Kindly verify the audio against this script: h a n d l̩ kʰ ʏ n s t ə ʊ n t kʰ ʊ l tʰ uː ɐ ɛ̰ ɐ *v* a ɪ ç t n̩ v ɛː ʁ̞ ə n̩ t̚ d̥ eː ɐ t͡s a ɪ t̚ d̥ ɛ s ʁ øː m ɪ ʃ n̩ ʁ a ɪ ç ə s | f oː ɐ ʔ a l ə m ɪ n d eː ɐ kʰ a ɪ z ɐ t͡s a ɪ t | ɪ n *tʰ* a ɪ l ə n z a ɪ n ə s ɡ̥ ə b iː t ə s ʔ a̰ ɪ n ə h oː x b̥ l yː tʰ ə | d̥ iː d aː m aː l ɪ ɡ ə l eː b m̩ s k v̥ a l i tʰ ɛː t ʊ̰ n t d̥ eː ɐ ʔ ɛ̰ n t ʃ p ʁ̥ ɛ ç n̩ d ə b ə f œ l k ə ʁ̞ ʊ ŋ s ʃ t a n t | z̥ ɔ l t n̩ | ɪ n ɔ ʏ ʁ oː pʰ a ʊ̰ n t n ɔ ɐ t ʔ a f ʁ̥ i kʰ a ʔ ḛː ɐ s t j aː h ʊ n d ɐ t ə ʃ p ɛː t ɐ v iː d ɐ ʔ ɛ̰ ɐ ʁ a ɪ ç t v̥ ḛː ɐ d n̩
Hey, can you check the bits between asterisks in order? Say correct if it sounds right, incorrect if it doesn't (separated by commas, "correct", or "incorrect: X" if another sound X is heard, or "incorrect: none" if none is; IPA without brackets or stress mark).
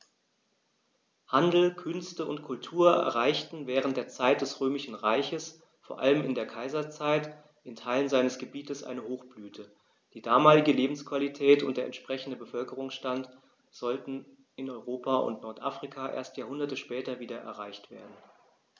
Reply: incorrect: ʁ, correct